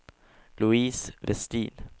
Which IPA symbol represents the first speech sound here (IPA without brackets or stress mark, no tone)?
l